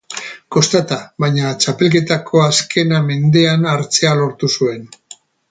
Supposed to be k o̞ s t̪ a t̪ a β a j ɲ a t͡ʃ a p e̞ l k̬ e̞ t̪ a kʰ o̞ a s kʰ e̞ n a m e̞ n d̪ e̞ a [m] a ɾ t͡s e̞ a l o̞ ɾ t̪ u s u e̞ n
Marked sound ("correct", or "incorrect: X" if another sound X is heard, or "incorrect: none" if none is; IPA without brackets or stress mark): incorrect: n